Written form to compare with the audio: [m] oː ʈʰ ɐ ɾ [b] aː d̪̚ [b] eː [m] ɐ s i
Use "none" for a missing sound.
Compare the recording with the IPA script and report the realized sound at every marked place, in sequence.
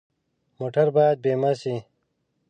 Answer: m, b, b, m

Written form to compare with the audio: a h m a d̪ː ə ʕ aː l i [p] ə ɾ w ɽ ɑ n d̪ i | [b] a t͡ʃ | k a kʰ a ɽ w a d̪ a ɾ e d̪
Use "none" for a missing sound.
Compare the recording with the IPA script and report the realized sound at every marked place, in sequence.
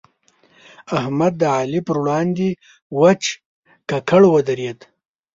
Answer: p, w

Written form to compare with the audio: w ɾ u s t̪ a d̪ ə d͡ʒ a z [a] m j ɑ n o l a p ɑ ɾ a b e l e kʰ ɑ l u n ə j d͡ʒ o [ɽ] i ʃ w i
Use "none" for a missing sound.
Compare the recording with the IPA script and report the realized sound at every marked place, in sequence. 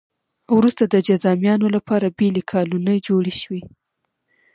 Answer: ɑ, ɽ

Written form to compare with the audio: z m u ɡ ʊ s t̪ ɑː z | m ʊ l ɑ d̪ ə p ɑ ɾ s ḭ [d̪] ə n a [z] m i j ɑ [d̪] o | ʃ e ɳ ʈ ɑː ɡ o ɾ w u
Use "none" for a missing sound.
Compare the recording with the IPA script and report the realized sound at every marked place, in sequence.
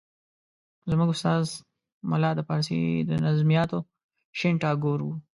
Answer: d̪, z, t̪

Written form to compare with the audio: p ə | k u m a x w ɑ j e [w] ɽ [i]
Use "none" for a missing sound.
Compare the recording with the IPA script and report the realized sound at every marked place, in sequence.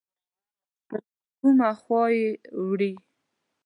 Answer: w, i

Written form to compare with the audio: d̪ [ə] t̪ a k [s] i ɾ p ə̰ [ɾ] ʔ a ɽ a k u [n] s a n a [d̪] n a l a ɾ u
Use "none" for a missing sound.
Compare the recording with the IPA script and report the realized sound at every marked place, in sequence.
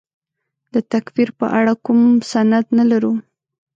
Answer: ə, f, none, m, d̪

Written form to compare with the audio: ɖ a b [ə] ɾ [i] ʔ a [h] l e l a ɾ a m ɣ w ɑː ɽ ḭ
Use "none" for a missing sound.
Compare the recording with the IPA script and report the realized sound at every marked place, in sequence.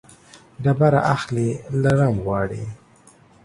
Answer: a, a, x

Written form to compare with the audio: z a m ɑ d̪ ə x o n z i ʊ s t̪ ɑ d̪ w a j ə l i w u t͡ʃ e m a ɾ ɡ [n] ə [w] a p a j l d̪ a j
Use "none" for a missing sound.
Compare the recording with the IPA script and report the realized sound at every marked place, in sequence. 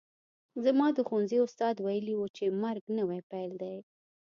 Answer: n, w

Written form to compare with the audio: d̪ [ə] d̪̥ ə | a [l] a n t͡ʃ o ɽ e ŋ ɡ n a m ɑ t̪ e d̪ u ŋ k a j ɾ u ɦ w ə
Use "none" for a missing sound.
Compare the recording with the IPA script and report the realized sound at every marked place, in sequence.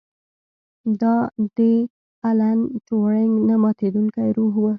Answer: ɑ, l

